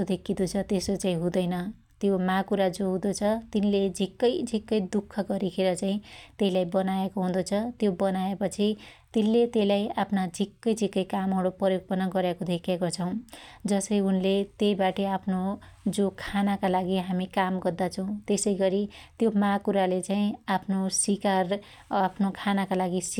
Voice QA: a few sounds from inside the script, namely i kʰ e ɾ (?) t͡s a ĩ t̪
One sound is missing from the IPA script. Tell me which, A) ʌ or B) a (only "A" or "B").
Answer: A